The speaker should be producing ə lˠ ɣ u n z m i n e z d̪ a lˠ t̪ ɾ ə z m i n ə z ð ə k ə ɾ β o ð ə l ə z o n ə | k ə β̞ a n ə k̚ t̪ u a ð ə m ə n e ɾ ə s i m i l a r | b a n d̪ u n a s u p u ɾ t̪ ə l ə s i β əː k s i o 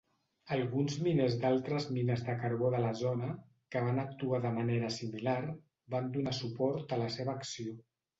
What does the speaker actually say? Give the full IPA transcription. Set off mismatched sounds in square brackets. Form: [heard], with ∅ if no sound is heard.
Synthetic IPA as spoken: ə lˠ ɣ u n z m i n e z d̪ a lˠ t̪ ɾ ə z m i n ə z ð ə k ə ɾ β o ð ə l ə z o n ə | k ə β̞ a n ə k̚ t̪ u a ð ə m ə n e ɾ ə s i m i l a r | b a n d̪ u n a s u p [ɔ] ɾ t̪ ə l ə s [e] β əː k s i o